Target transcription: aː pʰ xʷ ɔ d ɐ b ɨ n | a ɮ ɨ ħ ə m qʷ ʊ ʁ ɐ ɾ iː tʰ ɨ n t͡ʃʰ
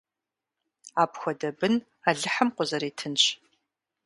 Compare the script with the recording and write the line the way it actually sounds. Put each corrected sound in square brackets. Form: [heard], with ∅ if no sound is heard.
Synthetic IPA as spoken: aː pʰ xʷ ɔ d ɐ b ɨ n | a ɮ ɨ ħ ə m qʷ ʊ [z] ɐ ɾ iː tʰ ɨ n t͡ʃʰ